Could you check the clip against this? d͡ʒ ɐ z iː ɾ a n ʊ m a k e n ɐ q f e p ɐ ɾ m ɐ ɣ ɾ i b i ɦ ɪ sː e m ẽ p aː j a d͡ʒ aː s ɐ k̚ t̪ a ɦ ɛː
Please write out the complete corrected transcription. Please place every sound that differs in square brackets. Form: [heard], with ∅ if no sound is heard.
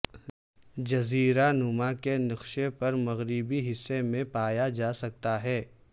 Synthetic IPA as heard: d͡ʒ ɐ z iː ɾ a n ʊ m a k e n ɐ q [ʃ] e p ɐ ɾ m ɐ ɣ ɾ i b i ɦ ɪ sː e m ẽ p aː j a d͡ʒ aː s ɐ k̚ t̪ a ɦ ɛː